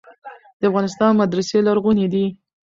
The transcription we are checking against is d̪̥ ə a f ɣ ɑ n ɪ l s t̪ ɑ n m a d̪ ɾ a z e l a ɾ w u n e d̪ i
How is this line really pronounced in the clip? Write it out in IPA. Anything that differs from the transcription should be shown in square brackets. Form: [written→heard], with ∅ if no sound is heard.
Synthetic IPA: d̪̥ ə a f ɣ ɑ n ɪ [l→∅] s t̪ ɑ n m a d̪ ɾ a [z→s] e l a ɾ [w→ɣ] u n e d̪ i